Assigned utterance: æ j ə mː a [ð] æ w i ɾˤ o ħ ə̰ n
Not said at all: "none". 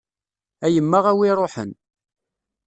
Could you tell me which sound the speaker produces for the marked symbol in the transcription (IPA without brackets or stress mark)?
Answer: ʁ